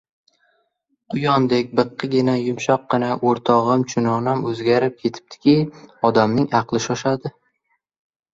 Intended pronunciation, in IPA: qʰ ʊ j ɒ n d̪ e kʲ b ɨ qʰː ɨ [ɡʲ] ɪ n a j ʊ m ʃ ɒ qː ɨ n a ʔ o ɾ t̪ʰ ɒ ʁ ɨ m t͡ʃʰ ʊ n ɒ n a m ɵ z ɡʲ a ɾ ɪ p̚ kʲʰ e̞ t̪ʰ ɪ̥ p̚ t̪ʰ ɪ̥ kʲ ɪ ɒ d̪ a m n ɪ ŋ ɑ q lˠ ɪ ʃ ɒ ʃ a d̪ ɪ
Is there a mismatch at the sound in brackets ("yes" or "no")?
no